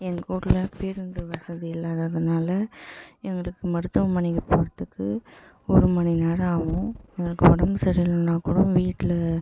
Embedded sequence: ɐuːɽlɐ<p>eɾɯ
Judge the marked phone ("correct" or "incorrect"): correct